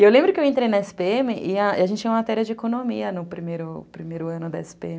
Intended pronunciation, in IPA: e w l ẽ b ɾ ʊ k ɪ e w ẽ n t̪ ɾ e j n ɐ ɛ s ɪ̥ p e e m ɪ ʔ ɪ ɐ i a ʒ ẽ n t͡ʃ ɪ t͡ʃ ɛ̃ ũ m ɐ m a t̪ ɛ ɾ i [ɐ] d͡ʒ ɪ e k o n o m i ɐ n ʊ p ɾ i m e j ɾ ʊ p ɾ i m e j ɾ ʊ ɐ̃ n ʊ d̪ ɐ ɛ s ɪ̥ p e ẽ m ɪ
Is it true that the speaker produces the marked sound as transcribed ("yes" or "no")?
yes